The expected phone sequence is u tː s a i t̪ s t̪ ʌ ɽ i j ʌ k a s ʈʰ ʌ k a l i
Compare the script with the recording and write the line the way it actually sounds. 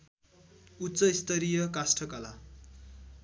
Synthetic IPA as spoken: u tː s ʌ i s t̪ ʌ ɾ i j ʌ k a s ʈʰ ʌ k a l a